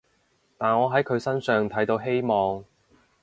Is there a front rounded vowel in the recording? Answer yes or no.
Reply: yes